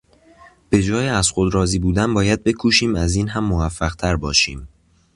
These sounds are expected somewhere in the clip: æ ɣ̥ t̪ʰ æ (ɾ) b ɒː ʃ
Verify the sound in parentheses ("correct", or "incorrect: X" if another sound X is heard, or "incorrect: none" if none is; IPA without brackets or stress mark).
correct